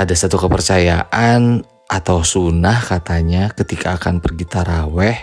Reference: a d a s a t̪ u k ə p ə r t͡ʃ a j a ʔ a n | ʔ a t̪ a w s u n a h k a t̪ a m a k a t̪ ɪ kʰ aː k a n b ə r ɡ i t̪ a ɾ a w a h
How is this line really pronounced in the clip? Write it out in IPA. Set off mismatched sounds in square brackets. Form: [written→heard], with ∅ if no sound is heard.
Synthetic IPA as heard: a d a s a t̪ u k ə p ə r t͡ʃ a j a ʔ a n | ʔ a t̪ a w s u n a h k a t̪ a [m→ɲ] a k [a→ə] t̪ [ɪ→i] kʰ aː k a n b ə r ɡ i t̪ a ɾ a w [a→ɛ] h